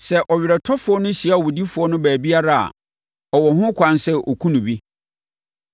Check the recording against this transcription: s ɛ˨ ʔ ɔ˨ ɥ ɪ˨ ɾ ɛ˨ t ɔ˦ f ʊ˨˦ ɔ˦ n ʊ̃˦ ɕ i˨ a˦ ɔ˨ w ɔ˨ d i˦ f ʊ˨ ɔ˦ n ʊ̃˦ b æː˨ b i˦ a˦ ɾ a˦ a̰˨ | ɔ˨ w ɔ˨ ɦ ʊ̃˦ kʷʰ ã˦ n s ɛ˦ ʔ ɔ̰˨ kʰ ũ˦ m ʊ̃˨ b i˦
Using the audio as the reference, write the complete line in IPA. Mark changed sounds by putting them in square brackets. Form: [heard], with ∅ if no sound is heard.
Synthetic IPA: s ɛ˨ ʔ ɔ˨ ɥ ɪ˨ ɾ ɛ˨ [tʰ] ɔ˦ f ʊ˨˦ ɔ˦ n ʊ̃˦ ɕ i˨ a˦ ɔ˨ w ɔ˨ d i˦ f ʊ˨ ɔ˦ n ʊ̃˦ b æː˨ b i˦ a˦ ɾ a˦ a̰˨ | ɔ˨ w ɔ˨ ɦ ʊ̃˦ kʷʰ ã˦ n s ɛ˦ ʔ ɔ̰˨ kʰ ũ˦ [n] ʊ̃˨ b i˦